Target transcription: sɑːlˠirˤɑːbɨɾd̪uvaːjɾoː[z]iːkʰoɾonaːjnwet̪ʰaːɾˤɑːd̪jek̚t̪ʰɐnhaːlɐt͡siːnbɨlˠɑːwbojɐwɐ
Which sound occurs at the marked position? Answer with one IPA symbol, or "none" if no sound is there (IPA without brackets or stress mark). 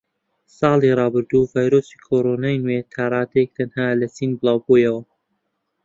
s